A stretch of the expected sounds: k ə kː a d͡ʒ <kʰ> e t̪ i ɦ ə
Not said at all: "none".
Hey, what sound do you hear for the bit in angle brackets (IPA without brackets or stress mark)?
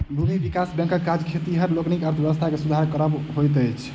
kʰ